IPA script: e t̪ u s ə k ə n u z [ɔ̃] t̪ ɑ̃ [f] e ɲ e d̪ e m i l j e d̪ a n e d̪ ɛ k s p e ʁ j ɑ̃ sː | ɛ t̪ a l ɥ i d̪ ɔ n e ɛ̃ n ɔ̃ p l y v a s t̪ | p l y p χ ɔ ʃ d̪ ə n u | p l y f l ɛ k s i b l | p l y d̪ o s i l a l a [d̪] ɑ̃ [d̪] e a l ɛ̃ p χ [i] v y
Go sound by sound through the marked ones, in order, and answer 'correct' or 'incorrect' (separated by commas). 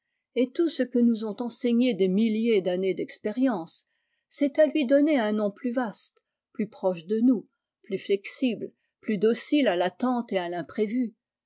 correct, incorrect, incorrect, incorrect, incorrect